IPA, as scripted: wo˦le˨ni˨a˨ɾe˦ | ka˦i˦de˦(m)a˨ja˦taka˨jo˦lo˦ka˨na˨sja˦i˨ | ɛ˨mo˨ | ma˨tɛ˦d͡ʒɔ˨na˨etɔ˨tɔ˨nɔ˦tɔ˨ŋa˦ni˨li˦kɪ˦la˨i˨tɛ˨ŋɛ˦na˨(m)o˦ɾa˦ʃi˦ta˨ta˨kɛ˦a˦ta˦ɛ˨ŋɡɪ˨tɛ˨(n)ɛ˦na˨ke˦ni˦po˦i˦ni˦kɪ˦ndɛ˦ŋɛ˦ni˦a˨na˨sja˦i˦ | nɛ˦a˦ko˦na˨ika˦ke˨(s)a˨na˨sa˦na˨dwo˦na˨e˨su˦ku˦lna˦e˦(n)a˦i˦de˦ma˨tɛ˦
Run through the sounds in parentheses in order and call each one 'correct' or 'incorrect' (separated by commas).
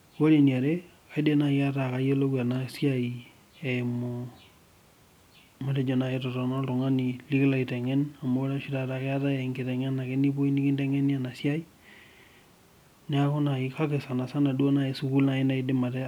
incorrect, correct, incorrect, correct, correct